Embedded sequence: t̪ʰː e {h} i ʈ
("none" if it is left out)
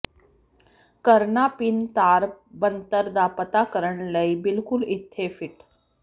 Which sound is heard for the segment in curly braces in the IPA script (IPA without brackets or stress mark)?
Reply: f